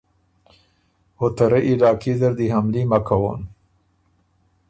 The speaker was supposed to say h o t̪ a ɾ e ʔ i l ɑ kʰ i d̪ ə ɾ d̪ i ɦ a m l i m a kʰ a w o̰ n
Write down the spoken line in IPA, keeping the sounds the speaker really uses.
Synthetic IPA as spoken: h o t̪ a ɾ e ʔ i l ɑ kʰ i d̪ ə ɾ d̪ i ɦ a m l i m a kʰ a w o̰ n